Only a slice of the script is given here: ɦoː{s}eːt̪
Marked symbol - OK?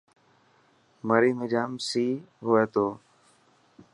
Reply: no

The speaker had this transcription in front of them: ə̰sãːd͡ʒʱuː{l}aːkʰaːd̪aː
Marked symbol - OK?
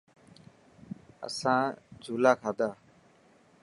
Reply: yes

